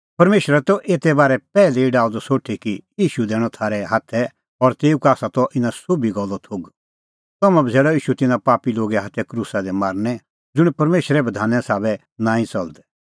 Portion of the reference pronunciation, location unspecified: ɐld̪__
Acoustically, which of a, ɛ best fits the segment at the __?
ɛ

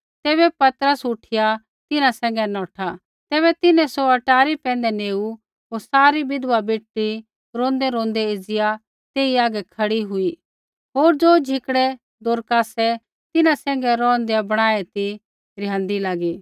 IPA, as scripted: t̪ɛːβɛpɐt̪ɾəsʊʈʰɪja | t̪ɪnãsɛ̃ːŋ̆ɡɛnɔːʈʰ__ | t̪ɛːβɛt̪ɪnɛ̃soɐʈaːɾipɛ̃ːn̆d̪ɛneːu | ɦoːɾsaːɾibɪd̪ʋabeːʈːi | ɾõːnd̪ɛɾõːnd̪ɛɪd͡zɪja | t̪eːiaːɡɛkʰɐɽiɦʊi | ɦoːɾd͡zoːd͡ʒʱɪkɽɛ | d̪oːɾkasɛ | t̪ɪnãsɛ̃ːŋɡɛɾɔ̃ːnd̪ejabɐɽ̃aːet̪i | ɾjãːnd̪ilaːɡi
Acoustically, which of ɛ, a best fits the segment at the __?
a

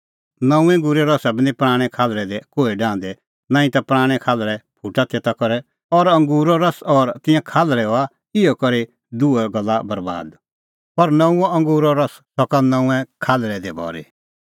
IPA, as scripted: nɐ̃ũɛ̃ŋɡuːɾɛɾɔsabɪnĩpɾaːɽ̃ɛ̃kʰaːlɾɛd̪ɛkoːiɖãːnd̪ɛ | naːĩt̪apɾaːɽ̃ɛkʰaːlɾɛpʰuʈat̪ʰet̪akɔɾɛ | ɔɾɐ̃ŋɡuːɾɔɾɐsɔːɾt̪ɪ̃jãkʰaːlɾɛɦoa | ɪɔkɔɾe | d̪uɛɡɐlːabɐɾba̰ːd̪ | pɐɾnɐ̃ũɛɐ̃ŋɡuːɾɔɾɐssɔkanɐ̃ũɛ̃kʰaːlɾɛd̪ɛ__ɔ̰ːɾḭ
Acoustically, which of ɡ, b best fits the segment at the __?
b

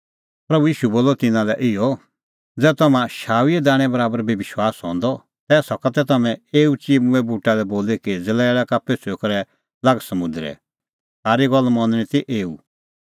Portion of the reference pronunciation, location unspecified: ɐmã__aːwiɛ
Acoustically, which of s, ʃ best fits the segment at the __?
ʃ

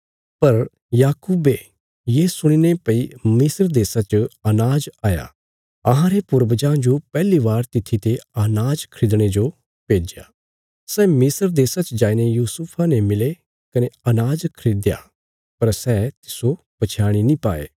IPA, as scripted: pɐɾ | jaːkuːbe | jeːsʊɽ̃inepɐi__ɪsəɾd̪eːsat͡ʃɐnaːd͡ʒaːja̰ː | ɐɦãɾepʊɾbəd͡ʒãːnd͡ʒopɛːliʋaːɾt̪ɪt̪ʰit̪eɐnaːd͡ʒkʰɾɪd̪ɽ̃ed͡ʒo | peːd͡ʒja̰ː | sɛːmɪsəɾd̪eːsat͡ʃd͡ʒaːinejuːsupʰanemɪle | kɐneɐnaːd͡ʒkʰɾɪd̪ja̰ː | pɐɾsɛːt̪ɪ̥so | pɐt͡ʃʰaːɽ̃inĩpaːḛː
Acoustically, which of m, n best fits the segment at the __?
m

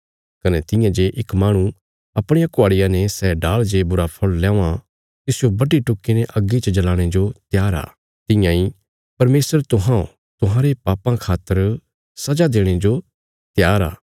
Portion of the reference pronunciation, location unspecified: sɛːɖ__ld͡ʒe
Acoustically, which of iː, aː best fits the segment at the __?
aː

